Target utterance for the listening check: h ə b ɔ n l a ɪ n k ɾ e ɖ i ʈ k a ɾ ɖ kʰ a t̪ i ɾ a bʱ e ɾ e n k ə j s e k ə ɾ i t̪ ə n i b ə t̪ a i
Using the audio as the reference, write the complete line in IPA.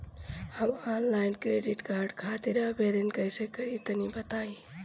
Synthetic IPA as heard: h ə m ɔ n l a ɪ n k ɾ e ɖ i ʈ k a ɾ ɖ kʰ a t̪ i ɾ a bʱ e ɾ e n k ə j s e k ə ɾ i t̪ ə n i b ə t̪ a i